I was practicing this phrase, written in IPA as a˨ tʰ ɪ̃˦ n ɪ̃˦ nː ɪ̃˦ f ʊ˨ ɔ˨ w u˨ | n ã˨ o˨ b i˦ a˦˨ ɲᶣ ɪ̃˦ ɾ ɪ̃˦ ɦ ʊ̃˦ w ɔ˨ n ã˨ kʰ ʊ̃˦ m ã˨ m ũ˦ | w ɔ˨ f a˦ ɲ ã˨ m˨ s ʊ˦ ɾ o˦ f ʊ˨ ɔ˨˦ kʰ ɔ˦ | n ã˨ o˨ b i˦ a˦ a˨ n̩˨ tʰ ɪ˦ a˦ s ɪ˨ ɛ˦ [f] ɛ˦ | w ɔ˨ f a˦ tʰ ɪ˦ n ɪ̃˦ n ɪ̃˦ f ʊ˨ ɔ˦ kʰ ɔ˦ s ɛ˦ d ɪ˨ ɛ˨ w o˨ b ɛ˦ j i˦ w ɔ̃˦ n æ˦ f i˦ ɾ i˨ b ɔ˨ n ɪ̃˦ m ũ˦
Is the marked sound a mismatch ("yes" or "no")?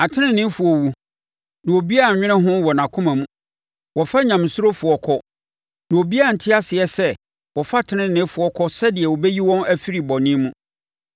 yes